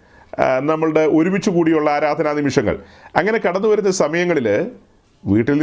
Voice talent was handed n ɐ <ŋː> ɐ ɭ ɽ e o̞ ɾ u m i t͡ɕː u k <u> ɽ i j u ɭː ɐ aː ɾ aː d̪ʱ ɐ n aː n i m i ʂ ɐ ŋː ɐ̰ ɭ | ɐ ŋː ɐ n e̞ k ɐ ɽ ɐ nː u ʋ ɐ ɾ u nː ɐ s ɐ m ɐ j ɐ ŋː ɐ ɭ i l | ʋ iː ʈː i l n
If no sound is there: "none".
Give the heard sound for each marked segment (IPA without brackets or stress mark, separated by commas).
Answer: mː, uː